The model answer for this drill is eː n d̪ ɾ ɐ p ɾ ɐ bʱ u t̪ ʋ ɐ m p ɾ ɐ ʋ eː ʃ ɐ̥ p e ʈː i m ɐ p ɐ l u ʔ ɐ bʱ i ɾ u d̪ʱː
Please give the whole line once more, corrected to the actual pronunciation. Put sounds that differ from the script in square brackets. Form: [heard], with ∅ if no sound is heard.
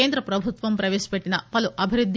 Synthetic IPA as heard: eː n d̪ ɾ ɐ p ɾ ɐ bʱ u t̪ ʋ ɐ m p ɾ ɐ ʋ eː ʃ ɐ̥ p e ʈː i [n] ɐ p ɐ l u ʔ ɐ bʱ i ɾ u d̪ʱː